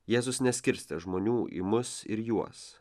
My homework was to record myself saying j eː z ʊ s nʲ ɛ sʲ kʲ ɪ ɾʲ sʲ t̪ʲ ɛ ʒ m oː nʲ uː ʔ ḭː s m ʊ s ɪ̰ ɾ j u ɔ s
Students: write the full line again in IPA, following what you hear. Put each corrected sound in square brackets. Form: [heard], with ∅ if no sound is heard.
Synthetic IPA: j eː z ʊ s nʲ ɛ sʲ kʲ ɪ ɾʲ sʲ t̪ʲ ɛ ʒ m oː nʲ uː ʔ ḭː [∅] m ʊ s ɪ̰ ɾ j u ɔ s